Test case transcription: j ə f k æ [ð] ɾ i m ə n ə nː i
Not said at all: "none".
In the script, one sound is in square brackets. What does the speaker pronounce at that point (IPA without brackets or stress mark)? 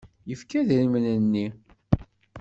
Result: ð